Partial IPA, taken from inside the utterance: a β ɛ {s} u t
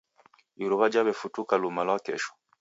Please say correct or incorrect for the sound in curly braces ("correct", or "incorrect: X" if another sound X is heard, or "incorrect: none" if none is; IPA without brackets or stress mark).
incorrect: f